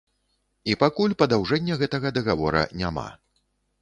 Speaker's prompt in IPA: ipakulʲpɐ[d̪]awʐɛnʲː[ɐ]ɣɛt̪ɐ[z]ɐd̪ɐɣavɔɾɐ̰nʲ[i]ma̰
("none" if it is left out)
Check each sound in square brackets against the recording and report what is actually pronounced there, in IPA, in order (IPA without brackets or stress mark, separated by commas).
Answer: d̪, ɐ, ɣ, a